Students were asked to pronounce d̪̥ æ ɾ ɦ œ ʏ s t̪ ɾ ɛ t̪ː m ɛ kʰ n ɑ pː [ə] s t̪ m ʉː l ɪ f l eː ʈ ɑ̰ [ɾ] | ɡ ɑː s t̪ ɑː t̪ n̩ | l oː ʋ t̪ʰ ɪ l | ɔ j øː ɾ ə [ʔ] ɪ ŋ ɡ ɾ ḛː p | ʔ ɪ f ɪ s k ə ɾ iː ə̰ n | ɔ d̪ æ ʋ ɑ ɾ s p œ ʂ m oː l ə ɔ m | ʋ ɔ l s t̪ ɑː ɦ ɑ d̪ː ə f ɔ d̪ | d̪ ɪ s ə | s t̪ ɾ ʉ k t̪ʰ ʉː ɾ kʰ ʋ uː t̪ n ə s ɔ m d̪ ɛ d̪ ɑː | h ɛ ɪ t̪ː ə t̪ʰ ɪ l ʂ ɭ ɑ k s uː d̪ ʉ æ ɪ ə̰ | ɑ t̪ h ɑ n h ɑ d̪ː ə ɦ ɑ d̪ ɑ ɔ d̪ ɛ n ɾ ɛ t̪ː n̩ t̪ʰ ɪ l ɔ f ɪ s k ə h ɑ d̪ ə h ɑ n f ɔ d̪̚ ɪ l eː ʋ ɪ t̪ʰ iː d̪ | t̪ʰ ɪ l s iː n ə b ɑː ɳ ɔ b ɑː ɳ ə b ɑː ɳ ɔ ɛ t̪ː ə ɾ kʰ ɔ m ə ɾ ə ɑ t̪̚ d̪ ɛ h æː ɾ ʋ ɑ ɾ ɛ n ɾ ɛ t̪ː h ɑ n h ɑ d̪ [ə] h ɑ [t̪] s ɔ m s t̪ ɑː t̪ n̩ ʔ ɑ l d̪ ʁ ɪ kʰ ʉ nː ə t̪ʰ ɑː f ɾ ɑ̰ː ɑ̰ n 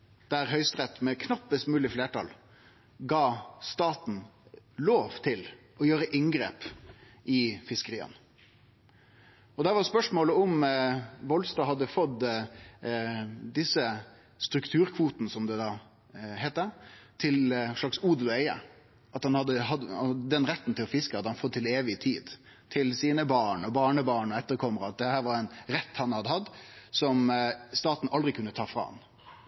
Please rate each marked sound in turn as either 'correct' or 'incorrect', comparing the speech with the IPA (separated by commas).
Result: correct, incorrect, correct, correct, incorrect